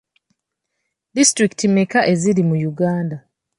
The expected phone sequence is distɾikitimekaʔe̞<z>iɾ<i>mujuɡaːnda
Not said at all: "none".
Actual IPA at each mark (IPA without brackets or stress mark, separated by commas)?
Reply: z, i